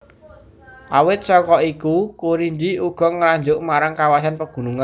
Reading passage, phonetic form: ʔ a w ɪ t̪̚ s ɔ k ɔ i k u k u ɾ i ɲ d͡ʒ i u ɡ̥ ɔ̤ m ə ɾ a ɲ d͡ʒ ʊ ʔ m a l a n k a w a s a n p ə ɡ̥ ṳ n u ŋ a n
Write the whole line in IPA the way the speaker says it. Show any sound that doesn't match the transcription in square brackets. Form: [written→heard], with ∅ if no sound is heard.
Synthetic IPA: ʔ a w ɪ t̪̚ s ɔ k ɔ i k u k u ɾ i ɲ d͡ʒ i u ɡ̥ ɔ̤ [m→ŋ] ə ɾ a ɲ d͡ʒ ʊ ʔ m a [l→ɾ] a [n→ŋ] k a w a s a n p ə ɡ̥ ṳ n u ŋ a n